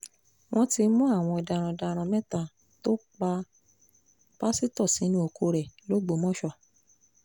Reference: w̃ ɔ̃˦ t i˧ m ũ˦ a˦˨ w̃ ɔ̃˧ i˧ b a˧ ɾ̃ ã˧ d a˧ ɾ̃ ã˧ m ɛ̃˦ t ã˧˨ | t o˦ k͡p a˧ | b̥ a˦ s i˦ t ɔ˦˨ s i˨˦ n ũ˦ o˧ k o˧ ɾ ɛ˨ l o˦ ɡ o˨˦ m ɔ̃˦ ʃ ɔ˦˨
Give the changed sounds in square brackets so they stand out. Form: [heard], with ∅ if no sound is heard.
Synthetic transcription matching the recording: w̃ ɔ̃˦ t i˧ m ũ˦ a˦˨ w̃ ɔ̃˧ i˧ [d] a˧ ɾ̃ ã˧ d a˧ ɾ̃ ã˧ m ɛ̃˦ t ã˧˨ | t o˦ k͡p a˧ | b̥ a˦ s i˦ t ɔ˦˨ s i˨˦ n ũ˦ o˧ k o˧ ɾ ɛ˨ l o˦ [ɡ͡b] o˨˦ m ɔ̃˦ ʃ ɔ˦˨